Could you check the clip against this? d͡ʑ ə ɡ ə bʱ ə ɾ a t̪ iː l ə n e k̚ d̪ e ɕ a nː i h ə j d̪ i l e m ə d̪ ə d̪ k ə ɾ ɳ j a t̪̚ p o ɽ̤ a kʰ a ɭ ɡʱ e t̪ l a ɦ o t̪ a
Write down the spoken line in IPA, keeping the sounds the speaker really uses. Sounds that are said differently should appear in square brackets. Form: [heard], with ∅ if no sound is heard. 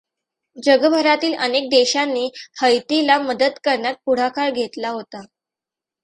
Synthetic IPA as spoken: d͡ʑ ə ɡ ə bʱ ə ɾ a t̪ iː l ə n e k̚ d̪ e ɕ a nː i h ə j [t̪] i l [a] m ə d̪ ə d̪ k ə ɾ ɳ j a t̪̚ p [u] ɽ̤ a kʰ a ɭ ɡʱ e t̪ l a ɦ o t̪ a